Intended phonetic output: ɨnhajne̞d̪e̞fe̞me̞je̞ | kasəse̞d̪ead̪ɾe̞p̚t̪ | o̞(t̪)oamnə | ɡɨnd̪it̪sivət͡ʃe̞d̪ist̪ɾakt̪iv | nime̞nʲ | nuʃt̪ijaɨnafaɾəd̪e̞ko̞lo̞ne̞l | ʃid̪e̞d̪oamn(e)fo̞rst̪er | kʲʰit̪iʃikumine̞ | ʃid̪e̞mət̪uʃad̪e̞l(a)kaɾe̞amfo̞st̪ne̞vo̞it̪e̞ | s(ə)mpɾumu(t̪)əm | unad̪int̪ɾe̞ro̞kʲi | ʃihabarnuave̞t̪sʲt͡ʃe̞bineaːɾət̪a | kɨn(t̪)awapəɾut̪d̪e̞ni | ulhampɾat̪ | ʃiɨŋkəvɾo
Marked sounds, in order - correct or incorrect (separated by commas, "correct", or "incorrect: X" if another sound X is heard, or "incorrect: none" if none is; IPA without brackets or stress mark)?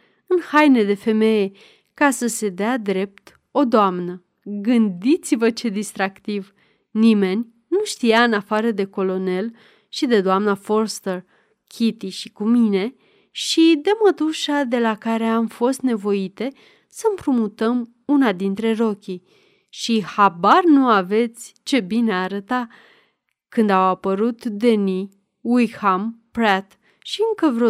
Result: incorrect: d̪, incorrect: a, correct, correct, correct, incorrect: d̪